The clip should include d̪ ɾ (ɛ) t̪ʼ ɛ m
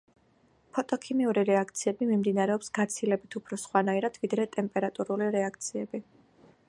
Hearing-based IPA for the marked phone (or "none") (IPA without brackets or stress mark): ɛ